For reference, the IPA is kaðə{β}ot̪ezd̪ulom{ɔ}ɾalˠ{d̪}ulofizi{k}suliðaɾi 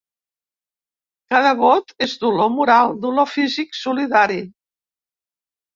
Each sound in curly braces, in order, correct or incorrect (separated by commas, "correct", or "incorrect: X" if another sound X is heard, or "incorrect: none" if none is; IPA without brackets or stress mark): correct, incorrect: u, correct, correct